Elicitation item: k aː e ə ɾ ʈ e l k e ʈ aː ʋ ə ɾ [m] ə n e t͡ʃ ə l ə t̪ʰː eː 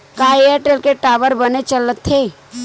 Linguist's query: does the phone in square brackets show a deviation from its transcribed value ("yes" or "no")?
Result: yes